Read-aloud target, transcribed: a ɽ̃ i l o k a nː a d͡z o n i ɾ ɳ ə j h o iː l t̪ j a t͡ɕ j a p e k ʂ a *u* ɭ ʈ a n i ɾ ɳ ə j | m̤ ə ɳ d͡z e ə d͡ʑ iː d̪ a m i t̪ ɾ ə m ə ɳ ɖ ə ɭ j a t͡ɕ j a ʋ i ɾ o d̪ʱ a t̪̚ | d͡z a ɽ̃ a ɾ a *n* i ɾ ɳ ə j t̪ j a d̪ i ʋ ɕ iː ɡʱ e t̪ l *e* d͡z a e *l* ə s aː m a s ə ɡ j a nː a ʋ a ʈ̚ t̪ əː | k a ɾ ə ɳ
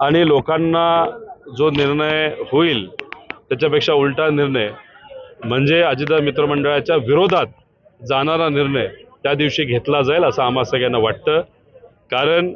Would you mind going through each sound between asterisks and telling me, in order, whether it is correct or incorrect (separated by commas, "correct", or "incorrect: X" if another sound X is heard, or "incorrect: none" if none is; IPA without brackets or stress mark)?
correct, correct, incorrect: a, correct